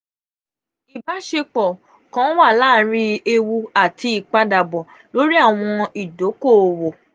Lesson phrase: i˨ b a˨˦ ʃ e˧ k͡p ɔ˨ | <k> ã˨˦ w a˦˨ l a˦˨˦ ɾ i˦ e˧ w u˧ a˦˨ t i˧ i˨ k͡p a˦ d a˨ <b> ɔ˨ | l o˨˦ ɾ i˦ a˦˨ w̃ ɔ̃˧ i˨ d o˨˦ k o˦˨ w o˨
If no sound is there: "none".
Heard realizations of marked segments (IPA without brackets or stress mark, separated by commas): k, b